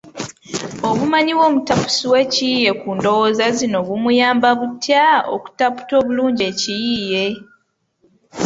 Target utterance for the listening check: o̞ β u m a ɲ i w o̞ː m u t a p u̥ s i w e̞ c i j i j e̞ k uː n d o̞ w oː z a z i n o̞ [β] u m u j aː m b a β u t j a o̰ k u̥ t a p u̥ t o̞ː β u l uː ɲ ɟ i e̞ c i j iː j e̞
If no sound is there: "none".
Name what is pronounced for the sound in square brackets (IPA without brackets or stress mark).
β